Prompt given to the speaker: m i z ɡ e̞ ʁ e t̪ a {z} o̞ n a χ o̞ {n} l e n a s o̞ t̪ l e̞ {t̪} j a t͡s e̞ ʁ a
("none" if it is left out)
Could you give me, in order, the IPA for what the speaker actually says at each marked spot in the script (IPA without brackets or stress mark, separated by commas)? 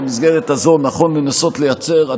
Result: z, n, none